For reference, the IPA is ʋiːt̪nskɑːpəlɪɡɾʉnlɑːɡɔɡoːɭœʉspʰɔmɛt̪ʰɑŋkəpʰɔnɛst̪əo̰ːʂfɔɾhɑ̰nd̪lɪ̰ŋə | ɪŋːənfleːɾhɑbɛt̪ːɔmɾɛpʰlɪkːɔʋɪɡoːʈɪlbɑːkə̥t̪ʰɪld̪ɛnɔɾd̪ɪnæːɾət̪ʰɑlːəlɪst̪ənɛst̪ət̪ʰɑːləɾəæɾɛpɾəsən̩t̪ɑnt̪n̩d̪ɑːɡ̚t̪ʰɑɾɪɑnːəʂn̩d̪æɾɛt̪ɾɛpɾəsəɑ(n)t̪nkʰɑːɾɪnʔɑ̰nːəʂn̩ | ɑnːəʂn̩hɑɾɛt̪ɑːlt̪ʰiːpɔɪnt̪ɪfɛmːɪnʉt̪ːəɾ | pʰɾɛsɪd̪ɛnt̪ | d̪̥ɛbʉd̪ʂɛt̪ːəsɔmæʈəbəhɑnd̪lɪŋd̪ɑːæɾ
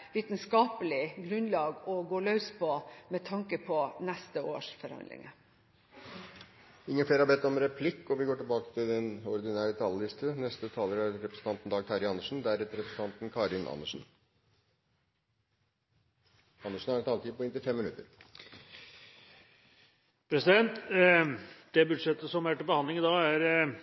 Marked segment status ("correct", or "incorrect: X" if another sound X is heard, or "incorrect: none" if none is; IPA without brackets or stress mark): correct